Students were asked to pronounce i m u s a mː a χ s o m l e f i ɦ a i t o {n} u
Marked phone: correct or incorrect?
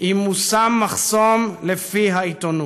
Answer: correct